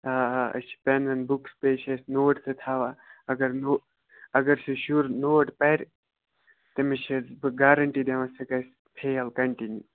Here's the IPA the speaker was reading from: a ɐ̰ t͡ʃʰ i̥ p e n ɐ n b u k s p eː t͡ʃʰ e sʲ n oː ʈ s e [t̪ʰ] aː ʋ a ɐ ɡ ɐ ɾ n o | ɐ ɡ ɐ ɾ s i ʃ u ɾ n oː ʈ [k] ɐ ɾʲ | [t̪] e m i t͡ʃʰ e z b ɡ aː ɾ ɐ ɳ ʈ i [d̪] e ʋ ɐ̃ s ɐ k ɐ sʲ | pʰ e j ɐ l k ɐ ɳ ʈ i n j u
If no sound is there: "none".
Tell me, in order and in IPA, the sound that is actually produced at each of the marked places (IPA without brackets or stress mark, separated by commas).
t̪ʰ, p, t̪, d̪